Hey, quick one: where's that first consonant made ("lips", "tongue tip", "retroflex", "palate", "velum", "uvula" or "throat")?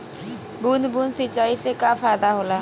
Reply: lips